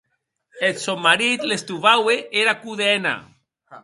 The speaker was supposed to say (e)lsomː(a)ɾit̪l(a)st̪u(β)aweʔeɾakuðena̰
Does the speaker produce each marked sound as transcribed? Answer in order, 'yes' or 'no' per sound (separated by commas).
yes, yes, no, yes